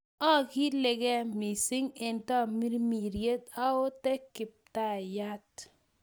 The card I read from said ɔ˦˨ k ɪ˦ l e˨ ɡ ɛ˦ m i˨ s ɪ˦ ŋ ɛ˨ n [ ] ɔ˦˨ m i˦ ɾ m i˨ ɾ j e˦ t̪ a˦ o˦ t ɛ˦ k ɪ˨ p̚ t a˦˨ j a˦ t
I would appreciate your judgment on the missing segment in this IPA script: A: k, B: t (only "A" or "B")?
B